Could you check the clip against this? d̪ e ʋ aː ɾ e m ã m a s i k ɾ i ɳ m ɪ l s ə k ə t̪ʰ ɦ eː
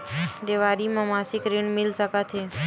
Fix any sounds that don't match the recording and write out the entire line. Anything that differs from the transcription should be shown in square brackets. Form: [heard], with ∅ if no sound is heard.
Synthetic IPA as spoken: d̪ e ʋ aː ɾ [i] m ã m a s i k ɾ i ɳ m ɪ l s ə k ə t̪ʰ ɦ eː